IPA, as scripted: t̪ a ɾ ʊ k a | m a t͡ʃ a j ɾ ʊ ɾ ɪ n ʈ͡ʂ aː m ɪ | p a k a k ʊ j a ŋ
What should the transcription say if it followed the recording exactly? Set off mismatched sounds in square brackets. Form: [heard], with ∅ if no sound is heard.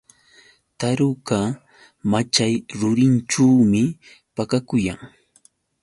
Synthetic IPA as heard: t̪ a ɾ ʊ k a | m a t͡ʃ a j ɾ ʊ ɾ ɪ n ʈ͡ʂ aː m ɪ | p a k a k ʊ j a ŋ

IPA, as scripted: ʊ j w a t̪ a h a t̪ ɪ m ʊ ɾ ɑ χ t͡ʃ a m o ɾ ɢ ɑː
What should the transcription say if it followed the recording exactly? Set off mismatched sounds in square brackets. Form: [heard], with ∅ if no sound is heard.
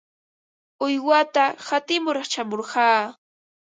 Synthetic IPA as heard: ʊ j w a t̪ a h a t̪ ɪ m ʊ ɾ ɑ χ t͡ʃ a m o ɾ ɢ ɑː

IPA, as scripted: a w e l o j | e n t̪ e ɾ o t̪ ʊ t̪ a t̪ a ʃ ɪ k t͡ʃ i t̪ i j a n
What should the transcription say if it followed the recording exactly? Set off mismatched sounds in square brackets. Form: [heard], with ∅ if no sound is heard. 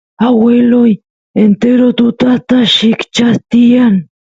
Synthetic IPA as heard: a w e l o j | e n t̪ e ɾ o t̪ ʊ t̪ a t̪ a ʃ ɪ k t͡ʃ [a] t̪ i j a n

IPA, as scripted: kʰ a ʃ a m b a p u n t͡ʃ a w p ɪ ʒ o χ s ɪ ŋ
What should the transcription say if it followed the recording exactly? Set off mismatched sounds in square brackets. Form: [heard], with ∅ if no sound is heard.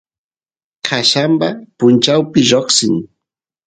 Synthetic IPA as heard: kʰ a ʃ a m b a p [ʊ] n t͡ʃ a w p ɪ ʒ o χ s ɪ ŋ

